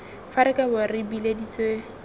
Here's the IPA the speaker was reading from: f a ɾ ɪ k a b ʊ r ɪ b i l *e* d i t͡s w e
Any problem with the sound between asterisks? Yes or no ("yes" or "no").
no